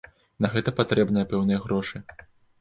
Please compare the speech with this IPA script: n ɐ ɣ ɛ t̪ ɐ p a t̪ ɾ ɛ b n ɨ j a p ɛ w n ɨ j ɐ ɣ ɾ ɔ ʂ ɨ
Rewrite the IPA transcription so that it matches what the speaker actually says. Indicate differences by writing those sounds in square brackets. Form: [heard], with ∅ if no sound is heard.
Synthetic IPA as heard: n ɐ ɣ ɛ t̪ ɐ p a t̪ ɾ ɛ b n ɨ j [ɐ] p ɛ w n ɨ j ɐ ɣ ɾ ɔ ʂ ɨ